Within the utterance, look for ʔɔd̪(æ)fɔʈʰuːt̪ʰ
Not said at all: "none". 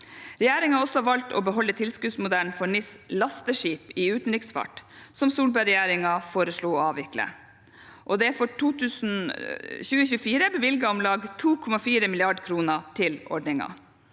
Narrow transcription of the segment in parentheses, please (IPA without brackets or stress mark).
ɛ